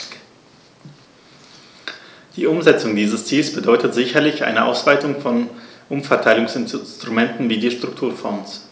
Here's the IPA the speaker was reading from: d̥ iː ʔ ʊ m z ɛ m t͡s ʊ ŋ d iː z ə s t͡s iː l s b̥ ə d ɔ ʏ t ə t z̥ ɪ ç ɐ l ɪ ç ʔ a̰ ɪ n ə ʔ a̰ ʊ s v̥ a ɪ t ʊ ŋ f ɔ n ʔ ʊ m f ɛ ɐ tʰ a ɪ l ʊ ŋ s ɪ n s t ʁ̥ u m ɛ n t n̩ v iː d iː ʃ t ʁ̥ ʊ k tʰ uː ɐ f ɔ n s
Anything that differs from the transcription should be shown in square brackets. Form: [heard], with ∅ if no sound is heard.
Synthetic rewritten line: d̥ iː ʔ ʊ m z ɛ [∅] t͡s ʊ ŋ d iː z ə s t͡s iː l s b̥ ə d ɔ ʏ t ə t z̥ ɪ ç ɐ l ɪ ç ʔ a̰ ɪ n ə ʔ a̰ ʊ s v̥ a ɪ t ʊ ŋ f ɔ n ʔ ʊ m f ɛ ɐ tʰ a ɪ l ʊ ŋ s ɪ n s t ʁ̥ u m ɛ n t n̩ v iː d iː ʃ t ʁ̥ ʊ k tʰ uː ɐ f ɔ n s